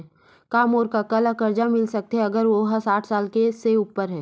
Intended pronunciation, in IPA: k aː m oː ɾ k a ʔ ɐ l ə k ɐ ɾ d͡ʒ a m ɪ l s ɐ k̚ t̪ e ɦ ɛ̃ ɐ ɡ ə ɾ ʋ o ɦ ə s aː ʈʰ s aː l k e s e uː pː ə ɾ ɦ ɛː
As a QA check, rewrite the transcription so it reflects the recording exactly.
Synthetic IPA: k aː m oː ɾ k a k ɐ l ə k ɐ ɾ d͡ʒ a m ɪ l s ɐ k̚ t̪ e ɦ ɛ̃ ɐ ɡ ə ɾ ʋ o ɦ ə s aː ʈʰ s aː l k e s e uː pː ə ɾ ɦ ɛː